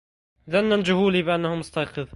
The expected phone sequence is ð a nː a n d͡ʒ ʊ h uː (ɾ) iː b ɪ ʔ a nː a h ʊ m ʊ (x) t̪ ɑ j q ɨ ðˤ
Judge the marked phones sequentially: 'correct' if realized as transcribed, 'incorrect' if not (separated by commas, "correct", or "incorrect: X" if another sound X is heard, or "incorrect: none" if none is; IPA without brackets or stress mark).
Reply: incorrect: l, incorrect: s